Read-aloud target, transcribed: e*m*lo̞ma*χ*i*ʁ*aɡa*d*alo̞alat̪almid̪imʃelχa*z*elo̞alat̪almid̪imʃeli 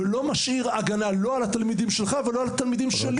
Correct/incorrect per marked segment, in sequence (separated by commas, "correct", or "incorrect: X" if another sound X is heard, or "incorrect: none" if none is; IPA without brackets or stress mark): incorrect: none, incorrect: ʃ, correct, incorrect: n, incorrect: v